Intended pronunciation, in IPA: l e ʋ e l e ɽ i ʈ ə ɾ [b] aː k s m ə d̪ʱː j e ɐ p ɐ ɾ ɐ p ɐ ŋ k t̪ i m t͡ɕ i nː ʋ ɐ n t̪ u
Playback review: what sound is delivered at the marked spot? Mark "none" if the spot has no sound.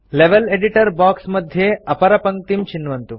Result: b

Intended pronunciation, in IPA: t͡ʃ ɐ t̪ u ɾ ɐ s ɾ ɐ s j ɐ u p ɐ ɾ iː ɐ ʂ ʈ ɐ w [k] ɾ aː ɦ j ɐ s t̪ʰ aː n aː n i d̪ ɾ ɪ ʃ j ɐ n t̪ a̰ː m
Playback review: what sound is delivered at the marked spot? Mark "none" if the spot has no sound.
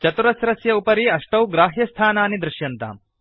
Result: ɡ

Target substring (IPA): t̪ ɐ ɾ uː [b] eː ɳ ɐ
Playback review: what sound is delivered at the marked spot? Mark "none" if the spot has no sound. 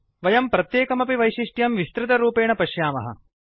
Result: p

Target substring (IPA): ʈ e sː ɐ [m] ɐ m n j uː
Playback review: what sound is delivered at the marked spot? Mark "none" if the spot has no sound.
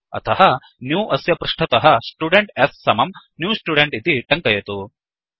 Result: m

